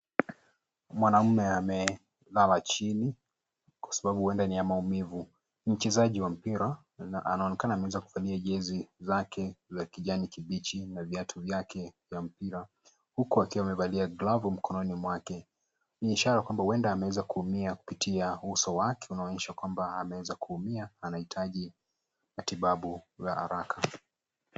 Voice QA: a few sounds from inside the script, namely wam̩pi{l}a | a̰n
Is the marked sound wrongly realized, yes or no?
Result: yes